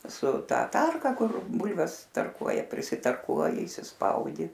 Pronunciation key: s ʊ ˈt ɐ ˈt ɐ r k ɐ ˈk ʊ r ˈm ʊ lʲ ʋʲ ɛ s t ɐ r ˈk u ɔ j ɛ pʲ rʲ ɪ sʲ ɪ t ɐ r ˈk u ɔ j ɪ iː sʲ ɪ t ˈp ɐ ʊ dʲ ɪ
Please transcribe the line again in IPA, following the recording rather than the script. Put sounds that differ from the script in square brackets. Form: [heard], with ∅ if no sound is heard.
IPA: s ʊ ˈt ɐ ˈt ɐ r k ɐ ˈk ʊ r [ˈb] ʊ lʲ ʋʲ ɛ s t ɐ r ˈk u ɔ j ɛ pʲ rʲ ɪ sʲ ɪ t ɐ r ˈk u ɔ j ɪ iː sʲ ɪ [s] ˈp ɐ ʊ dʲ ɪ